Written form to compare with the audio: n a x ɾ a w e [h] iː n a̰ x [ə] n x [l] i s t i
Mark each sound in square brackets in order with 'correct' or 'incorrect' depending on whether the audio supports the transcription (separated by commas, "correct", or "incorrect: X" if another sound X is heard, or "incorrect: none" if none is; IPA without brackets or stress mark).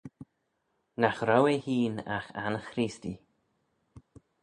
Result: correct, incorrect: a, incorrect: ɾ